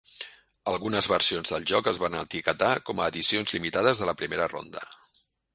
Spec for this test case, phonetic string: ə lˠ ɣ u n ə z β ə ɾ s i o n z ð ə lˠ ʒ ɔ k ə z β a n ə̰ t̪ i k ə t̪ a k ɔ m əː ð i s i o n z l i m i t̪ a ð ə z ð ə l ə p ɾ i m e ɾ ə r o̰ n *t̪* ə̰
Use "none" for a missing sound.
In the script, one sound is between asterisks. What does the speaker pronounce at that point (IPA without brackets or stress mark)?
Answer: d̪